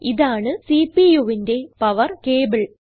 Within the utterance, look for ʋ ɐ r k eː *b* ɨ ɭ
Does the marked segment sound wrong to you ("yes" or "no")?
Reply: no